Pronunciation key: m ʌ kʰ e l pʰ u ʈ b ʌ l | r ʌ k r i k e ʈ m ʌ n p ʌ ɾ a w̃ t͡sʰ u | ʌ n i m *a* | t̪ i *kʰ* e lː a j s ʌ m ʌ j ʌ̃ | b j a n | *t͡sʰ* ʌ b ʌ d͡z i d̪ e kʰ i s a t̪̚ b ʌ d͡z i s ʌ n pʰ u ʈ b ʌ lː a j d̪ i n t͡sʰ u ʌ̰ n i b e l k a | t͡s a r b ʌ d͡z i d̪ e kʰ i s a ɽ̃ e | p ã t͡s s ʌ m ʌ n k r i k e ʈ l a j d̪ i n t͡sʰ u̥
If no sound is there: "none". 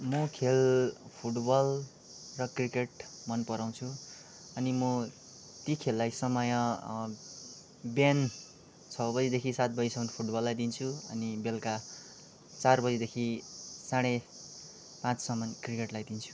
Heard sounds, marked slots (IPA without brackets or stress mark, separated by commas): ʌ, kʰ, t͡sʰ